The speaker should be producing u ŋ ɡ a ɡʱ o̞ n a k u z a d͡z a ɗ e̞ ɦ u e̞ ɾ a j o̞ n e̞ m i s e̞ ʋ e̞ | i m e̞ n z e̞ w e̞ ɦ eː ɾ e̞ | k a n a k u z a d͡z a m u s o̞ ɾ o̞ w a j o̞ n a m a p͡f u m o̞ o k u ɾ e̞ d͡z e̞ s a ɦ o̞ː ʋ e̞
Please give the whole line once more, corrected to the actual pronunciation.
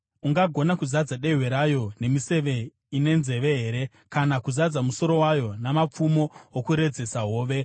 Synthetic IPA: u ŋ ɡ a ɡʱ o̞ n a k u z a d͡z a ɗ e̞ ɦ w e̞ ɾ a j o̞ n e̞ m i s e̞ ʋ e̞ | i n e̞ n z e̞ ʋ e̞ ɦ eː ɾ e̞ | k a n a k u z a d͡z a m u s o̞ ɾ o̞ w a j o̞ n a m a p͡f u m o̞ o k u ɾ e̞ d͡z e̞ s a ɦ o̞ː ʋ e̞

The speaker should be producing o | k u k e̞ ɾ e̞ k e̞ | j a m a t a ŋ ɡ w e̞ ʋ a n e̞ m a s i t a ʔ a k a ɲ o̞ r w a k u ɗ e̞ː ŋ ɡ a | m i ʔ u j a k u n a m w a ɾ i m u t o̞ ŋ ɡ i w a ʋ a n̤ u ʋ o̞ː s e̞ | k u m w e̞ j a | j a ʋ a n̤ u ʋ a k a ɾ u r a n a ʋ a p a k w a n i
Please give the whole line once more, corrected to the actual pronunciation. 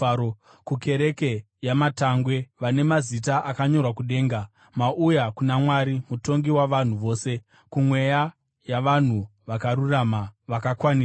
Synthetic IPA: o | k u k e̞ ɾ e̞ k e̞ | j a m a t a ŋ ɡ w e̞ ʋ a n e̞ m a z i t a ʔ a k a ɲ o̞ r w a k u ɗ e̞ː ŋ ɡ a | m a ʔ u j a k u n a m w a ɾ i m u t o̞ ŋ ɡ i w a ʋ a n̤ u ʋ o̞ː s e̞ | k u m w e̞ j a | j a ʋ a n̤ u ʋ a k a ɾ u r a m a ʋ a k a k w a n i

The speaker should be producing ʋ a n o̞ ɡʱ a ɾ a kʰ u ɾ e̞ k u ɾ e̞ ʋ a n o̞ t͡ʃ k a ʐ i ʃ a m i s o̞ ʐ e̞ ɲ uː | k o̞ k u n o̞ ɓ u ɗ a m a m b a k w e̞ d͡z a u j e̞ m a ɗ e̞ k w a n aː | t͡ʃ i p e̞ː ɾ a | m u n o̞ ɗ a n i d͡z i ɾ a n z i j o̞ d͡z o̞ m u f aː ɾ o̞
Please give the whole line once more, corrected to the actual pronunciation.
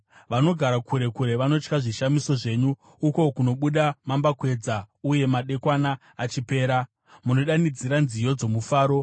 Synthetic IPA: ʋ a n o̞ ɡʱ a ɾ a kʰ u ɾ e̞ k u ɾ e̞ ʋ a n o̞ t͡ʃ k a ʐ i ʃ a m i s o̞ ʐ e̞ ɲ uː | k o̞ k u n o̞ ɓ u ɗ a m a m b a k w e̞ d͡z a u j e̞ m a ɗ e̞ k w a n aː | t͡ʃ i p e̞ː ɾ a | m u n o̞ ɗ a n i d͡z i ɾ a n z i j o̞ d͡z o̞ m u f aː ɾ o̞

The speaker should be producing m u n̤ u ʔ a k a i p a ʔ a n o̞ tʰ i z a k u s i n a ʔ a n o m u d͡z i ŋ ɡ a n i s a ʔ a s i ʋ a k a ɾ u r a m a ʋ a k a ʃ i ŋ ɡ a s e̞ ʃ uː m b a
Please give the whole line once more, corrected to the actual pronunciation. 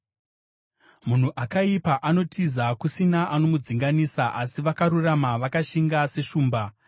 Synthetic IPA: m u n̤ u ʔ a k a i p a ʔ a n o̞ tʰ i z a k u s i n a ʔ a n o m u d͡z i ŋ ɡ a n i s a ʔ a s i ʋ a k a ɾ u r a m a ʋ a k a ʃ i ŋ ɡ a s e̞ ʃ uː m b a

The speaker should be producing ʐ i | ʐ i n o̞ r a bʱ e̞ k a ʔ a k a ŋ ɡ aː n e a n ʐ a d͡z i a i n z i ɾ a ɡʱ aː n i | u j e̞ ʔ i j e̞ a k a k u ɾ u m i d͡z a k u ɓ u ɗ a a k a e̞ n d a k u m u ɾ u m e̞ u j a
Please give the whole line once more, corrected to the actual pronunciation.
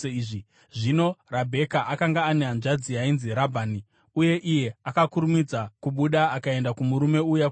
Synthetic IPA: ʐ i | ʐ i n o̞ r a bʱ e̞ k a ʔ a k a ŋ ɡ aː n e a n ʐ a d͡z i a i n z i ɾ a bʱ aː n i | u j e̞ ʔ i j e̞ a k a k u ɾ u m i d͡z a k u ɓ u ɗ a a k a e̞ n d a k u m u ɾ u m e̞ u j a

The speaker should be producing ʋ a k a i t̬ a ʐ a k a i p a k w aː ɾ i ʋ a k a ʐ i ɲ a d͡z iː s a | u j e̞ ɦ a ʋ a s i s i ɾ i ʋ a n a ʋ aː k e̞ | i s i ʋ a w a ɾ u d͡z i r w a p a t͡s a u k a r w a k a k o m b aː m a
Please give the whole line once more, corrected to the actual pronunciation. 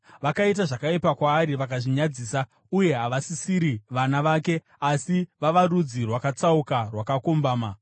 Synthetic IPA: ʋ a k a i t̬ a ʐ a k a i p a k w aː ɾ i ʋ a k a ʐ i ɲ a d͡z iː s a | u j e̞ ɦ a ʋ a s i s i ɾ i ʋ a n a ʋ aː k e̞ | a s i ʋ a ʋ a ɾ u d͡z i r w a k a t͡s a u k a r w a k a k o m b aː m a

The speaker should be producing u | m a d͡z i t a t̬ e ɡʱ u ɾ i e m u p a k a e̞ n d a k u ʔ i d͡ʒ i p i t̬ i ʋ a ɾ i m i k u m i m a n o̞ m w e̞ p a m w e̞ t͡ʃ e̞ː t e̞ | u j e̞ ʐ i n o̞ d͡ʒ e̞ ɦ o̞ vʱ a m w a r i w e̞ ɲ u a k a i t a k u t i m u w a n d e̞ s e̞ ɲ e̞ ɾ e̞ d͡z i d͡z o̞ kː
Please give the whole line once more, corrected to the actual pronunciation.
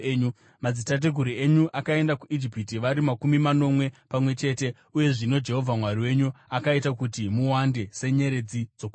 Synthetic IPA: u | m a d͡z i t a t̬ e ɡʱ u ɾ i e ɲ u ʔ a k a e̞ n d a k u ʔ i d͡ʒ i p i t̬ i ʋ a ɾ i m a k u m i m a n o̞ m w e̞ p a m w e̞ t͡ʃ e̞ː t e̞ | u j e̞ ʐ i n o̞ d͡ʒ e̞ ɦ o̞ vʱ a m w a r i w e̞ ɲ u a k a i t a k u t i m u w a n d e̞ s e̞ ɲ e̞ ɾ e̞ d͡z i d͡z o̞ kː

